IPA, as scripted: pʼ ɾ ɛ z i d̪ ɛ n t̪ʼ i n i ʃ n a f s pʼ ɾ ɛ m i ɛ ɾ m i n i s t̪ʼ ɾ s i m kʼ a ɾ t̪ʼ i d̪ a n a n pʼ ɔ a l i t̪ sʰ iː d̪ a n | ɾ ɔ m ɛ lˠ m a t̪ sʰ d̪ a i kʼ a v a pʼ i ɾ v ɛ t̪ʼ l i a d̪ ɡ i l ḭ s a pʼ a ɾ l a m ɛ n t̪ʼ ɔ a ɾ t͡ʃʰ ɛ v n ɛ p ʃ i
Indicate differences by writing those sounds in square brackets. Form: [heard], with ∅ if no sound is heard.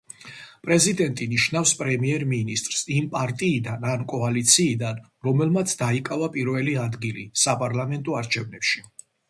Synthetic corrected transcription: pʼ ɾ ɛ z i d̪ ɛ n t̪ʼ i n i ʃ n a f s pʼ ɾ ɛ m i ɛ ɾ m i n i s t̪ʼ ɾ s i m [pʼ] a ɾ t̪ʼ [iː] d̪ a n a n [kʼ] ɔ a l i t̪ sʰ iː d̪ a n | ɾ ɔ m ɛ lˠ m a t̪ sʰ d̪ a i kʼ a v a pʼ i ɾ v ɛ [∅] l i a d̪ ɡ i l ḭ s a pʼ a ɾ l a m ɛ n t̪ʼ ɔ a ɾ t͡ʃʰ ɛ v n ɛ p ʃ i

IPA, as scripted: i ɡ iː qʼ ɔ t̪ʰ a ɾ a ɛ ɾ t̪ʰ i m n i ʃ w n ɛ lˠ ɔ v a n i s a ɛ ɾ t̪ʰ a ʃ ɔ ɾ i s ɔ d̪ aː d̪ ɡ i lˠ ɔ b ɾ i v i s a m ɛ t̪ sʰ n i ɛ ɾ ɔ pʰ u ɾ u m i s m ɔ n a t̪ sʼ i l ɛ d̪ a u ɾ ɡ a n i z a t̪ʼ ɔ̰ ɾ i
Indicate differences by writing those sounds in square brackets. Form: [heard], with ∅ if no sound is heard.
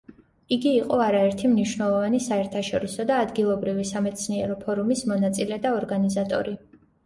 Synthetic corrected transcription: i ɡ iː qʼ ɔ [∅] a ɾ a ɛ ɾ t̪ʰ i m n i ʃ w n ɛ lˠ ɔ v a n i s a ɛ ɾ t̪ʰ a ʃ ɔ ɾ i s ɔ d̪ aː d̪ ɡ i lˠ ɔ b ɾ i v i s a m ɛ t̪ sʰ n i ɛ ɾ ɔ pʰ [ɔ] ɾ u m i s m ɔ n a t̪ sʼ i l ɛ d̪ a [ɔ] ɾ ɡ a n i z a t̪ʼ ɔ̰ ɾ i

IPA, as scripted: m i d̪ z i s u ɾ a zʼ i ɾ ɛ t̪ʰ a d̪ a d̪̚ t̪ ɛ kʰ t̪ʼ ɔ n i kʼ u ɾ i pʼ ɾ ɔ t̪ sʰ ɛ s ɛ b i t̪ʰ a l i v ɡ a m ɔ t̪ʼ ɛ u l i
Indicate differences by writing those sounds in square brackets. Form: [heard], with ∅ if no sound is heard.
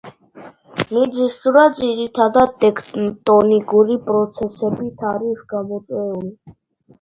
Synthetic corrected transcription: m i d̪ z i s u ɾ a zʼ i ɾ [i] t̪ʰ a d̪ a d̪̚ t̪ ɛ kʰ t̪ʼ ɔ n i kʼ u ɾ i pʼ ɾ ɔ t̪ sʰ ɛ s ɛ b i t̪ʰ a [ɾ] i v ɡ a m ɔ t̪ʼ ɛ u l i

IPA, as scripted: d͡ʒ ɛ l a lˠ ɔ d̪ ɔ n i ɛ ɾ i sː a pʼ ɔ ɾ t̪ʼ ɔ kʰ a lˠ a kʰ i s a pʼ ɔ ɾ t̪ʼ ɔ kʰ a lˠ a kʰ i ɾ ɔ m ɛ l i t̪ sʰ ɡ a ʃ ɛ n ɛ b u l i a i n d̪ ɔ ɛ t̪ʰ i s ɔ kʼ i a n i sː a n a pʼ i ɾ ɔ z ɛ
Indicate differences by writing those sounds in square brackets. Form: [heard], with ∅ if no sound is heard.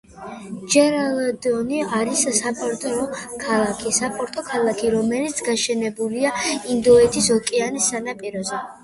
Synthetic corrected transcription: d͡ʒ ɛ [ɾ] a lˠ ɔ d̪ ɔ n i [a] ɾ i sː a pʼ ɔ ɾ t̪ʼ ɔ kʰ a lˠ a kʰ i s a pʼ ɔ ɾ t̪ʼ ɔ kʰ a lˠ a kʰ i ɾ ɔ m ɛ l i t̪ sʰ ɡ a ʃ ɛ n ɛ b u l i a i n d̪ ɔ ɛ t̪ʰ i s ɔ kʼ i a n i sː a n a pʼ i ɾ ɔ z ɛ

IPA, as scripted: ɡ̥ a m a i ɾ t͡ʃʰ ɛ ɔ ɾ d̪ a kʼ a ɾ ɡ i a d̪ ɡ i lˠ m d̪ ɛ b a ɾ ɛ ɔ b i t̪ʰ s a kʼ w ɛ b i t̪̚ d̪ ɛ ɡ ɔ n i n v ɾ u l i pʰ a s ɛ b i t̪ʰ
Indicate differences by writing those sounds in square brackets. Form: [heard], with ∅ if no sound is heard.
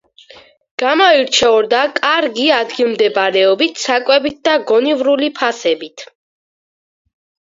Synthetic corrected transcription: ɡ̥ a m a i ɾ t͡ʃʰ ɛ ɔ ɾ d̪ a kʼ a ɾ ɡ i a d̪ ɡ i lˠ m d̪ ɛ b a ɾ ɛ ɔ b i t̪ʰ s a kʼ w ɛ b i t̪̚ d̪ [a] ɡ ɔ n i [∅] v ɾ u l i pʰ a s ɛ b i t̪ʰ

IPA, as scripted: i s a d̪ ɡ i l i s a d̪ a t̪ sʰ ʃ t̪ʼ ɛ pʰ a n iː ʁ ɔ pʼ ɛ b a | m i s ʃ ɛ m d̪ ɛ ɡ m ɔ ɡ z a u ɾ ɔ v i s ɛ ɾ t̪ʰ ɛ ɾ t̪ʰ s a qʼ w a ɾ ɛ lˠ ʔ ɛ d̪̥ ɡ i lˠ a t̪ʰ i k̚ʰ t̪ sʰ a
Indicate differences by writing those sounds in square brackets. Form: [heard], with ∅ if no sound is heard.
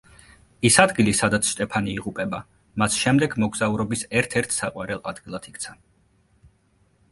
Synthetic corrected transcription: i s a d̪ ɡ i l i s a d̪ a t̪ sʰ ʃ t̪ʼ ɛ pʰ a n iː ʁ [u] pʼ ɛ b a | m [a] s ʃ ɛ m d̪ ɛ ɡ m ɔ ɡ z a u ɾ ɔ [b] i s ɛ ɾ t̪ʰ ɛ ɾ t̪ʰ s a qʼ w a ɾ ɛ lˠ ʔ [a] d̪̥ ɡ i lˠ a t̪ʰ i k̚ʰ t̪ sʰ a

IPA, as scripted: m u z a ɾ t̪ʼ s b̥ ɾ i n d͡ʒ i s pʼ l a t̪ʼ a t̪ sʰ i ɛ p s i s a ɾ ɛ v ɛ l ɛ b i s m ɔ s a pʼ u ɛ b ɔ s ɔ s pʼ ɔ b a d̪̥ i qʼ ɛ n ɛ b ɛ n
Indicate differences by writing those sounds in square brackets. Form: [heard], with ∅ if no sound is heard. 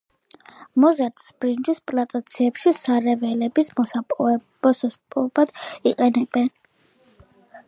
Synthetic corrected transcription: m [ɔ] z a ɾ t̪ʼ s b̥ ɾ i n d͡ʒ i s pʼ l a t̪ʼ a t̪ sʰ i ɛ p [ʃ] i s a ɾ ɛ v ɛ l ɛ b i s m ɔ s a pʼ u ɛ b ɔ s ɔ s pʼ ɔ b a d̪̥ i qʼ ɛ n ɛ b ɛ n

